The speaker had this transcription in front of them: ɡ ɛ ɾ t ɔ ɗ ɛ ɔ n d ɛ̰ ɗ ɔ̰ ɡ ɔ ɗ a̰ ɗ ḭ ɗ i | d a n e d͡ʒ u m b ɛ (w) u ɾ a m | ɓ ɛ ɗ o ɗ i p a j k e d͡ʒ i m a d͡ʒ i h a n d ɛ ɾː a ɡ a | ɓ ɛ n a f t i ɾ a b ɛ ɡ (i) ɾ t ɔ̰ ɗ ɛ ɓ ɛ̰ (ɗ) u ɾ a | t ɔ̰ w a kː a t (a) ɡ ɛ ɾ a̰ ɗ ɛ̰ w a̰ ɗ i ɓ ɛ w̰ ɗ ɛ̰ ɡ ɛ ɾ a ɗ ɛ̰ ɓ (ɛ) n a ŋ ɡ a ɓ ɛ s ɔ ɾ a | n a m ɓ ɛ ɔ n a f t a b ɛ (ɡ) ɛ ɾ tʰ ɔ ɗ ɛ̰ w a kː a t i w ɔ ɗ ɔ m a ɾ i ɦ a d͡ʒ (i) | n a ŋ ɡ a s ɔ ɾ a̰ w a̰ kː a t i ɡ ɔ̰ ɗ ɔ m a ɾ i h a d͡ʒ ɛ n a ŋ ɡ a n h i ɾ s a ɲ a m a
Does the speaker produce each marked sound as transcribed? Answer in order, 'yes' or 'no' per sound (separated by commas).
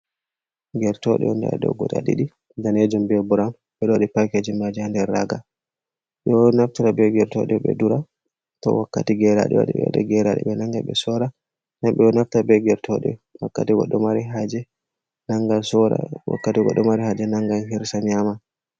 no, no, no, no, yes, yes, no